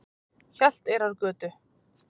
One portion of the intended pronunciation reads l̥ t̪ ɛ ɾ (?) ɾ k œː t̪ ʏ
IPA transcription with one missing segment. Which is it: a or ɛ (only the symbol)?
a